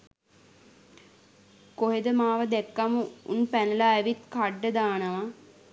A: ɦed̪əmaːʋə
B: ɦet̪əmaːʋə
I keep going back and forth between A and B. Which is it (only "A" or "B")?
A